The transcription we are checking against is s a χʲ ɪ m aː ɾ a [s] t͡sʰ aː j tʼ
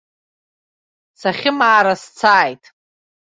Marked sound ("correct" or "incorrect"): correct